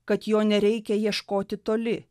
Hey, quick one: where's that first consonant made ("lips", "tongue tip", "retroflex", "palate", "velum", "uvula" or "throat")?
velum